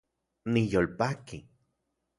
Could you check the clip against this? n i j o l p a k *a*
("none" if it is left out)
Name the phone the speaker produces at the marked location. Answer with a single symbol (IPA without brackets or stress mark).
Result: i